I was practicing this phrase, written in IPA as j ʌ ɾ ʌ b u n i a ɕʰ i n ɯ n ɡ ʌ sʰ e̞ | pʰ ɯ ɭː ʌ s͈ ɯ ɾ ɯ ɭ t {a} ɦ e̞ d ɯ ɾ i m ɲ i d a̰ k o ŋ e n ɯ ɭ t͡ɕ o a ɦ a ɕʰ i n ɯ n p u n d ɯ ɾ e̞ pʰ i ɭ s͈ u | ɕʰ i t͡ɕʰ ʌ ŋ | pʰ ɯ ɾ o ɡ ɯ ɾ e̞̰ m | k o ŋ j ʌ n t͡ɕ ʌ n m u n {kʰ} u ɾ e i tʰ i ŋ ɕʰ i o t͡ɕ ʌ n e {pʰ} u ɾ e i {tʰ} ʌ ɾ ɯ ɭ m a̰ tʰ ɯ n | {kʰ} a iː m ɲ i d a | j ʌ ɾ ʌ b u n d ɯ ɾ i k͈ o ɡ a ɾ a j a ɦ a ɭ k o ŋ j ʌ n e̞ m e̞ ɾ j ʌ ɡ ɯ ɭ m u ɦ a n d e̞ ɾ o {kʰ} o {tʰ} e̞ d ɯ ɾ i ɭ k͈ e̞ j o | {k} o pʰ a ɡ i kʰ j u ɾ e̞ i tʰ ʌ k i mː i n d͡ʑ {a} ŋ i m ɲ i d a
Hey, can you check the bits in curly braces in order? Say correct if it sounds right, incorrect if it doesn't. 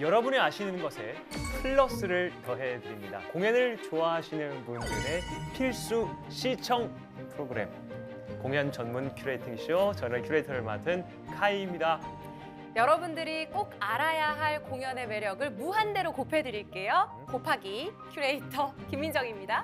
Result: incorrect: ʌ, correct, incorrect: kʰ, correct, correct, incorrect: k, incorrect: pʰ, correct, incorrect: ʌ

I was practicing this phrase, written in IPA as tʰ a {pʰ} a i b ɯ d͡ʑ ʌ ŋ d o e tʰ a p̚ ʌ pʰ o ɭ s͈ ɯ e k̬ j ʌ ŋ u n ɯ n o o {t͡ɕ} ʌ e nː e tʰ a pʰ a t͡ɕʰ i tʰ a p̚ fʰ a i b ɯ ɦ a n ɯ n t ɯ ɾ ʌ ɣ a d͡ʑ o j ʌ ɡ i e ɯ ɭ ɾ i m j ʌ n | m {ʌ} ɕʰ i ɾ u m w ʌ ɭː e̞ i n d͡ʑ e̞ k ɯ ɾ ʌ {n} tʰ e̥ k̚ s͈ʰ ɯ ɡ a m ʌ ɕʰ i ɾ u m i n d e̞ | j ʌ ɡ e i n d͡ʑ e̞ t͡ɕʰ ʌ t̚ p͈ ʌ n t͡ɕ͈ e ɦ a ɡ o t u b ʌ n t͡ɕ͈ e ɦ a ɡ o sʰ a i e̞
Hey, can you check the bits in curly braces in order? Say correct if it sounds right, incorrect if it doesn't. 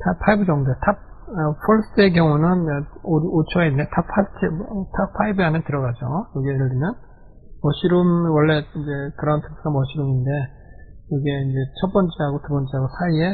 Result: correct, incorrect: t͡ɕʰ, correct, correct

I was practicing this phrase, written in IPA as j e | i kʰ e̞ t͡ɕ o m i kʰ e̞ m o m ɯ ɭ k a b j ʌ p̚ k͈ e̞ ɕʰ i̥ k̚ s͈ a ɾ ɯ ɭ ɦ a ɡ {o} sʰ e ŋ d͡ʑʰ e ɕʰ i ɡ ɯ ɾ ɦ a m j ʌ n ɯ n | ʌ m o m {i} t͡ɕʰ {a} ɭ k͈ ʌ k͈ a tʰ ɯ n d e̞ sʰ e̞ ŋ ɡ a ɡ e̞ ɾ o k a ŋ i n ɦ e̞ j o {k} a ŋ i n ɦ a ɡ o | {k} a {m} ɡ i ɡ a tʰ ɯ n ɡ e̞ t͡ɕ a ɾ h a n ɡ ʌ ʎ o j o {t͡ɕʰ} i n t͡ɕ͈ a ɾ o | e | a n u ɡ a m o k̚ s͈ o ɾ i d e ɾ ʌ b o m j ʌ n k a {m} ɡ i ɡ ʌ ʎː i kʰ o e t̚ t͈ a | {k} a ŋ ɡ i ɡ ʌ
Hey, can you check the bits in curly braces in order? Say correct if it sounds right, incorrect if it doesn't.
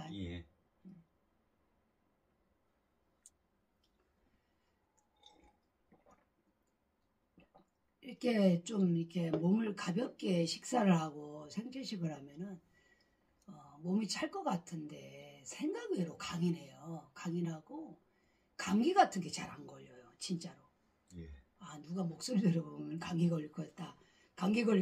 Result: correct, correct, correct, correct, correct, incorrect: ŋ, incorrect: t͡ɕ, incorrect: ŋ, correct

